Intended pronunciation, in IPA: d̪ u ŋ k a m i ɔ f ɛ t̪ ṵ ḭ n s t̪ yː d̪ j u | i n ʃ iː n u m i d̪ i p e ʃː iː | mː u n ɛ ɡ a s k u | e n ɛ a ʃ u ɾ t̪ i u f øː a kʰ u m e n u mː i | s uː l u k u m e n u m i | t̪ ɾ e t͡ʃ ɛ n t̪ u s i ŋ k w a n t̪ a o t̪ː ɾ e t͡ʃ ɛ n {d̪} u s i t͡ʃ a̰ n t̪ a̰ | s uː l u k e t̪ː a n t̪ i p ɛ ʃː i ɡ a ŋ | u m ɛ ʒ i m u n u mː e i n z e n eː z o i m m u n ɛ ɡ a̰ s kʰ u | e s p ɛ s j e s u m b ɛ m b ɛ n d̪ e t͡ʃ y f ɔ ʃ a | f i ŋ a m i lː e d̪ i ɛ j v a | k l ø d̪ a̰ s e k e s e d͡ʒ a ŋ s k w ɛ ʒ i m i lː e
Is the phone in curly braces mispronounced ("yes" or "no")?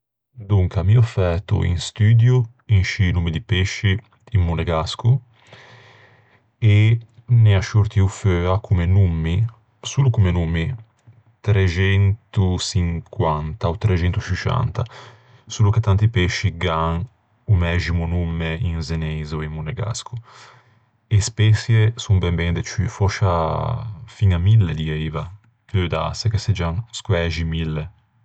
yes